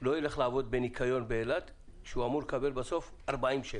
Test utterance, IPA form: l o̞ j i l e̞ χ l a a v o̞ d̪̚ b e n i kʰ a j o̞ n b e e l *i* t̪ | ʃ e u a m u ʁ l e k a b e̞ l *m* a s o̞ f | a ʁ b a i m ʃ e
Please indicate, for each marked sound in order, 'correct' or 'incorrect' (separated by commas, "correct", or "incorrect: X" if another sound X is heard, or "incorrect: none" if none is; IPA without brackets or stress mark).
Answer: incorrect: a, incorrect: b